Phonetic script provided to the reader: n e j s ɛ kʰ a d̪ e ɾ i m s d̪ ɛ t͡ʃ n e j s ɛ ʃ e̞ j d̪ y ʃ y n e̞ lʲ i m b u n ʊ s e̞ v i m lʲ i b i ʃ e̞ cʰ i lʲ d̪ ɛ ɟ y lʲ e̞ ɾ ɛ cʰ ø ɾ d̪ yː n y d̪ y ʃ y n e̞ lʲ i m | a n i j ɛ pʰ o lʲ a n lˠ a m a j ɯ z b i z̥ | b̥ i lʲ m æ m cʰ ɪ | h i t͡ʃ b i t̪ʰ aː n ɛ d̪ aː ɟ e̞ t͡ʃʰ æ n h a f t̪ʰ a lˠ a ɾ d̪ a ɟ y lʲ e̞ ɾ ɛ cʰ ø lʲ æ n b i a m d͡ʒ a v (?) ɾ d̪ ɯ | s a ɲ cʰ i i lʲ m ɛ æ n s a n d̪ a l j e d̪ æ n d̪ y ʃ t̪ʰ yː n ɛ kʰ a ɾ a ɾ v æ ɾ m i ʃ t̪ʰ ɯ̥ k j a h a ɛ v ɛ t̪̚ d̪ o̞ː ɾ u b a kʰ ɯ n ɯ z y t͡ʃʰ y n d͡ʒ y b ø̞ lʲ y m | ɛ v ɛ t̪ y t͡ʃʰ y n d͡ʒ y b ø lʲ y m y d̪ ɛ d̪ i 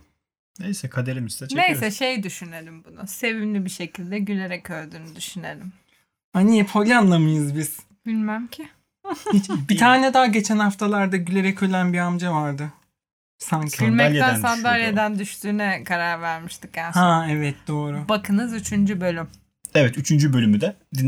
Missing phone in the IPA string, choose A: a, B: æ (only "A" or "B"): A